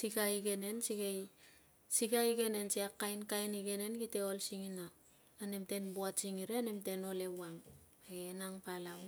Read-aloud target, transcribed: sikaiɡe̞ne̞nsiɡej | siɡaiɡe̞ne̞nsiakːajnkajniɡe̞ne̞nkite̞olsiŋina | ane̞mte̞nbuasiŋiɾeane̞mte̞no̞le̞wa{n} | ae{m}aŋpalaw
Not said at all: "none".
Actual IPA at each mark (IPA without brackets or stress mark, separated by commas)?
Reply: ŋ, n